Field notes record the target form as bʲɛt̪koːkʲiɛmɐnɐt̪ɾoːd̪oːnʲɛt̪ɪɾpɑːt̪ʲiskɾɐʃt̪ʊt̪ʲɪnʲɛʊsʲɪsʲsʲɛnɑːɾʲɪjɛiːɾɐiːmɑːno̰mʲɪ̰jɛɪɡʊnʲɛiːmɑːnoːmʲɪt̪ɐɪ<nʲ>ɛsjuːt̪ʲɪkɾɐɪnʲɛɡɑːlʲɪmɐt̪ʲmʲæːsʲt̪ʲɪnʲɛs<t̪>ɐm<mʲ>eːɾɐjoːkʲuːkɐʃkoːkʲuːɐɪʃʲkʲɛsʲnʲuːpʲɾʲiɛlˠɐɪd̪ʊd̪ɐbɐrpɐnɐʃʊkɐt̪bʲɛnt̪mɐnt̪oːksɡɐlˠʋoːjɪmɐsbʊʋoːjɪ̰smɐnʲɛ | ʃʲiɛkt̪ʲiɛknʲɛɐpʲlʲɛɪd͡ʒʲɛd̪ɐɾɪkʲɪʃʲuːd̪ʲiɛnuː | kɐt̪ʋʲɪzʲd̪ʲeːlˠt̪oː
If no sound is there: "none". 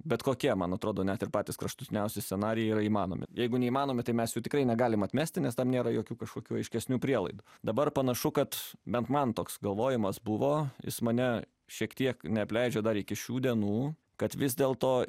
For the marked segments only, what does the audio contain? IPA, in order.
mʲ, t̪, nʲ

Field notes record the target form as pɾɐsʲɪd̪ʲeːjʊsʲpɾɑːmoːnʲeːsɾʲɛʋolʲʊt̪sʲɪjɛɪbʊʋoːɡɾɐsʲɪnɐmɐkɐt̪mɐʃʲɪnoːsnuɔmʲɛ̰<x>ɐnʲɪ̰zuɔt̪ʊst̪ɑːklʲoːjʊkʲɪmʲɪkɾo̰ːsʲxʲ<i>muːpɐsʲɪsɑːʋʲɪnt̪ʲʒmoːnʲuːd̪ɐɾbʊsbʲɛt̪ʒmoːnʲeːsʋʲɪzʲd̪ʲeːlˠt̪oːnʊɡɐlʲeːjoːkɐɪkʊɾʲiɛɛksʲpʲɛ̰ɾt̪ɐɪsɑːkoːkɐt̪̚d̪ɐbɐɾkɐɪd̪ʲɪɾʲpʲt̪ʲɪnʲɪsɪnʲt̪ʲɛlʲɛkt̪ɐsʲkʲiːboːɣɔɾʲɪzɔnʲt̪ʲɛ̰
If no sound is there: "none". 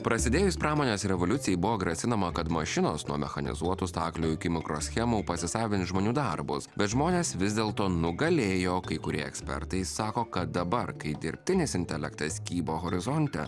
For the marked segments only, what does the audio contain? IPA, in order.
x, ɛ

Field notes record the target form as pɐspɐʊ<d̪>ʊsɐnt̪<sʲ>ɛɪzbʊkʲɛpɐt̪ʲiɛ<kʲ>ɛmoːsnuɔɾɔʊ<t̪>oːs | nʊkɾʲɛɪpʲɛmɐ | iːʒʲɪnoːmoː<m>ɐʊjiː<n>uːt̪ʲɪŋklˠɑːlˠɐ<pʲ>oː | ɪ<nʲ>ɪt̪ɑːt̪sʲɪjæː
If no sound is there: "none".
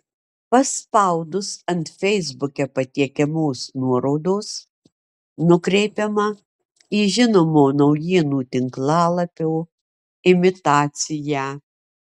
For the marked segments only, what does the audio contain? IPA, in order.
d̪, fʲ, kʲ, d̪, n, n, pʲ, mʲ

